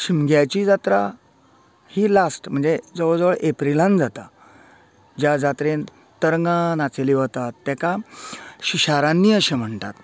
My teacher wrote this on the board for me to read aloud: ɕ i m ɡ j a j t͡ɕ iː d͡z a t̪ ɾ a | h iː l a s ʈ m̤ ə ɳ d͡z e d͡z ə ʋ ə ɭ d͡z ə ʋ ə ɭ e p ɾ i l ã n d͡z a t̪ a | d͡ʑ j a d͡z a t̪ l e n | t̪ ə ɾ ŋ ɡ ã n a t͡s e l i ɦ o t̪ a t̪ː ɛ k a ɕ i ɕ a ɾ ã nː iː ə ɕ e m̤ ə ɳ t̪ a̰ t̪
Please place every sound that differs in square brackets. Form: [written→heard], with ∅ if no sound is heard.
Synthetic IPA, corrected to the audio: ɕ i m ɡ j a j t͡ɕ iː d͡z a t̪ ɾ a | h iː l a s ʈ m̤ ə ɳ d͡z e d͡z ə ʋ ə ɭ d͡z ə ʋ ə ɭ e p ɾ i l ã n d͡z a t̪ a | d͡ʑ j a d͡z a t̪ [l→ɾ] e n | t̪ ə ɾ ŋ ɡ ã n a t͡s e l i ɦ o t̪ a t̪ː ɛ k a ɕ i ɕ a ɾ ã nː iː ə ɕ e m̤ ə ɳ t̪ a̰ t̪

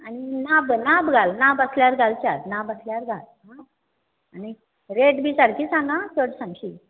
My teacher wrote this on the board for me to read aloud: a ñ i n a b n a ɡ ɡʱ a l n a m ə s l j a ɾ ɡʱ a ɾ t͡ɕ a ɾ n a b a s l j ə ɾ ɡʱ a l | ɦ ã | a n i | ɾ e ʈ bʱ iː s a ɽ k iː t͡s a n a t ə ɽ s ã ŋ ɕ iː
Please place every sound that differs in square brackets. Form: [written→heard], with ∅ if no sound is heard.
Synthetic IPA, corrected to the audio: a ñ i n a b n a [ɡ→b] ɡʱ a l n a [m→b] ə s l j a ɾ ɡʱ a [ɾ→l] t͡ɕ a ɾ n a b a s l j [ə→a] ɾ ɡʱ a l | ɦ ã | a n i | ɾ e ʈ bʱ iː s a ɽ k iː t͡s a n a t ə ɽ s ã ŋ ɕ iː

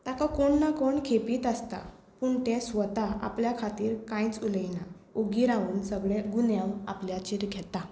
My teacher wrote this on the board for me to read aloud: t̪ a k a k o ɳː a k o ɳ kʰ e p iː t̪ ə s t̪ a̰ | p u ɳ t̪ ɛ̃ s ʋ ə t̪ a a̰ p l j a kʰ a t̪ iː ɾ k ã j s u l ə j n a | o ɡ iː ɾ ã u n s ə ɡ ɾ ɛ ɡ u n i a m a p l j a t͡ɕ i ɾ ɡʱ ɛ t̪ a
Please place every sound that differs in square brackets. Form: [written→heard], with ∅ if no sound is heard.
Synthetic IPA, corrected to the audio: t̪ a k a k o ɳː a k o ɳ kʰ e p iː t̪ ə s t̪ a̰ | p u ɳ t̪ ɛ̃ s ʋ ə t̪ a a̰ p l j a kʰ a t̪ iː ɾ k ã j [s→t͡s] u l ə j n a | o ɡ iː ɾ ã [u→uː] n s ə ɡ [ɾ→ɭ] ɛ ɡ u n [i→j] a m a p l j a t͡ɕ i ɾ ɡʱ ɛ t̪ a

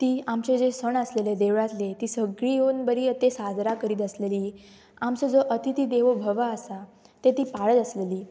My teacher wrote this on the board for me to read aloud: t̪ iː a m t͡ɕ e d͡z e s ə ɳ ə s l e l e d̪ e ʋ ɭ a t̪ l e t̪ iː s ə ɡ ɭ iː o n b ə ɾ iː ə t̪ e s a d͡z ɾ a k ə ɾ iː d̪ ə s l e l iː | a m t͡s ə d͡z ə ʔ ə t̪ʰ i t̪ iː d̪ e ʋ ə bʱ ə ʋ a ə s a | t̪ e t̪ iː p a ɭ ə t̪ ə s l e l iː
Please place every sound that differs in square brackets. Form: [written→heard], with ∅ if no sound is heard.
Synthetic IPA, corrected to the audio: t̪ iː a m t͡ɕ e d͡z e s ə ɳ ə s l e l e d̪ e ʋ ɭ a t̪ l e t̪ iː s ə ɡ ɭ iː o n b ə ɾ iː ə t̪ e s a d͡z ɾ a k ə ɾ iː [d̪→t̪] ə s l e l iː | a m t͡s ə d͡z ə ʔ ə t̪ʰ i t̪ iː d̪ e ʋ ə bʱ ə ʋ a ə s a | t̪ e t̪ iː p a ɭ ə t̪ ə s l e l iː

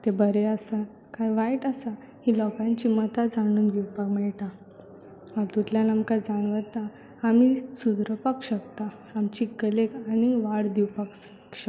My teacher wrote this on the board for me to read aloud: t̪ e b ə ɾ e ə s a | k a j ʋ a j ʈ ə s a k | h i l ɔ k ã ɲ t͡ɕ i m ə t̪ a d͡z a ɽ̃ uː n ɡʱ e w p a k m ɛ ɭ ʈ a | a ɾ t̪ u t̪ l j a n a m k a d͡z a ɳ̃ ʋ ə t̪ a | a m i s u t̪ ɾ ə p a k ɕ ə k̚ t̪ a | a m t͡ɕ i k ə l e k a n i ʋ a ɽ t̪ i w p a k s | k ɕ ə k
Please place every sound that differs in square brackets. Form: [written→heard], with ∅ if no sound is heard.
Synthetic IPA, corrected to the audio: t̪ e b ə ɾ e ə s a | k a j ʋ a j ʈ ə s a [k→∅] | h i l ɔ k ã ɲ t͡ɕ i m ə t̪ a d͡z a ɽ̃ uː n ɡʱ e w p a k m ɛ ɭ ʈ a | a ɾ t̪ u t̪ l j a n a m k a d͡z a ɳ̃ ʋ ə t̪ a | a m i s u [t̪→d̪] ɾ ə p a k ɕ ə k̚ t̪ a | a m t͡ɕ i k ə l e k a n i ʋ a ɽ [t̪→d̪] i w p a k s | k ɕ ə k

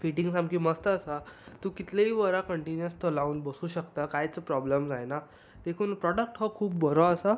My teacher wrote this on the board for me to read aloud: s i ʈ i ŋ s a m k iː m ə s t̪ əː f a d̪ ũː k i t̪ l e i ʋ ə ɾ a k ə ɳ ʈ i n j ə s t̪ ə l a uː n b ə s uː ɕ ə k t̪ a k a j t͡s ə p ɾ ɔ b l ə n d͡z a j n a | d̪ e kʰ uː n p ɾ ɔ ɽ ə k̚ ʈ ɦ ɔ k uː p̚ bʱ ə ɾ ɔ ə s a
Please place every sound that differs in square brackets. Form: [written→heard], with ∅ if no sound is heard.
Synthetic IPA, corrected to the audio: [s→f] i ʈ i ŋ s a m k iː m ə s t̪ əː [f→s] a [d̪→t̪] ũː k i t̪ l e i ʋ ə ɾ a k ə ɳ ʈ i n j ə s t̪ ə l a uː n b ə s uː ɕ ə k t̪ a k a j t͡s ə p ɾ ɔ b l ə [n→m] d͡z a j n a | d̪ e kʰ uː n p ɾ ɔ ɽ ə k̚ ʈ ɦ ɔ [k→kʰ] uː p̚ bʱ ə ɾ ɔ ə s a

